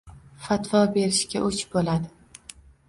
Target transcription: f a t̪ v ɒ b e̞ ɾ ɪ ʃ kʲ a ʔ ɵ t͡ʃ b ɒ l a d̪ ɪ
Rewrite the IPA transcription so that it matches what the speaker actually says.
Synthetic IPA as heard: f a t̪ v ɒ b e̞ ɾ ɪ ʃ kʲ a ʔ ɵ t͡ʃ b o l a d̪ ɪ